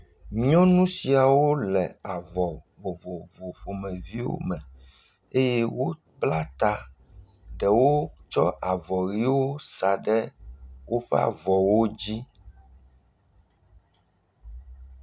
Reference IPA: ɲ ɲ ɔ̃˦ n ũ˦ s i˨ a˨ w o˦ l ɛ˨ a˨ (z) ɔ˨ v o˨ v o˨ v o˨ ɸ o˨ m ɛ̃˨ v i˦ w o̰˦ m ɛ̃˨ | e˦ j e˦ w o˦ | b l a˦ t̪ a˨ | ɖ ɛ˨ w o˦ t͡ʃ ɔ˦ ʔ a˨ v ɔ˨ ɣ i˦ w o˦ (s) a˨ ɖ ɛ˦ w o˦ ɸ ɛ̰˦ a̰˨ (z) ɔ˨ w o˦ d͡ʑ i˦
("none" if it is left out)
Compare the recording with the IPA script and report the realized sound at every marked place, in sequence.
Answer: v, s, v

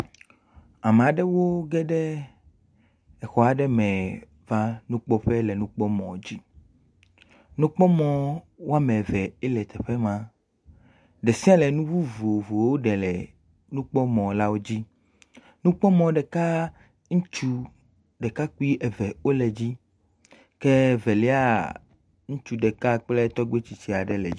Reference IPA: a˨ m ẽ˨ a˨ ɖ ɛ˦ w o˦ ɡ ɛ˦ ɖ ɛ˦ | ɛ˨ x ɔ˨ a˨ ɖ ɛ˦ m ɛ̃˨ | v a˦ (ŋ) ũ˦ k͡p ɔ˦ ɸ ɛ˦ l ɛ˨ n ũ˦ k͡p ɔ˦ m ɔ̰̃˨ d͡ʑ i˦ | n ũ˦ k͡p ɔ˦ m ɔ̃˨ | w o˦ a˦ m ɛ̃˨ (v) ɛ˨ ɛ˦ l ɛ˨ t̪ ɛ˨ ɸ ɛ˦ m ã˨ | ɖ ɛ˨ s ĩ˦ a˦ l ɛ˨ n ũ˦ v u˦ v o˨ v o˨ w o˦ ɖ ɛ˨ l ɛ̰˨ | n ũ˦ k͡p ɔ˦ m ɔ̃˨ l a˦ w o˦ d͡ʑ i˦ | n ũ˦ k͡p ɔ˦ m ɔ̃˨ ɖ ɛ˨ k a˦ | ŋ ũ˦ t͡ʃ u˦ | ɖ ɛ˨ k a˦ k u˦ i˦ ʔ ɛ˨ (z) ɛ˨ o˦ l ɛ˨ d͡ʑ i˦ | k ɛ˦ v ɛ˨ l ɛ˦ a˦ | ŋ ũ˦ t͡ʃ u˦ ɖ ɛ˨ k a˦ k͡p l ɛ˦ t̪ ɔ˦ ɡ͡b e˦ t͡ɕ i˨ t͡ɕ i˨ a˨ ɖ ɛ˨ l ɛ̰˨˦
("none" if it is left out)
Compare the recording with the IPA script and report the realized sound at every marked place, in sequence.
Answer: n, v, v

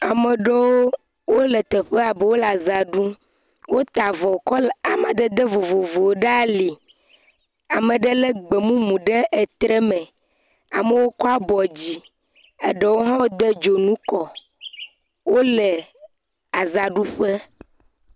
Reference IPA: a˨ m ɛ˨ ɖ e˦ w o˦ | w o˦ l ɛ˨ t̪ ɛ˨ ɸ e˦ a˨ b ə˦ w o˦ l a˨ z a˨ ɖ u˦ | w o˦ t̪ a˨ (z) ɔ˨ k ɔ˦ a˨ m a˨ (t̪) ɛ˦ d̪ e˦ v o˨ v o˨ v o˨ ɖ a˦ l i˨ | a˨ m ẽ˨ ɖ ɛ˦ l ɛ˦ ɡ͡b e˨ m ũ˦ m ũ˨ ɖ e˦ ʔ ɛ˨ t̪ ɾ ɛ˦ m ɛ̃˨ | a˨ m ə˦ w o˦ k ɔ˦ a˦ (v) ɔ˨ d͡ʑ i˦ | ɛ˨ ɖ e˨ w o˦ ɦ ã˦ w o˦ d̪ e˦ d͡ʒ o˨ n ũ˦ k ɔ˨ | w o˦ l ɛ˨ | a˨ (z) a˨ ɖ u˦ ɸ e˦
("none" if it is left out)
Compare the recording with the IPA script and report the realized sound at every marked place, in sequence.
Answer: v, d̪, b, z

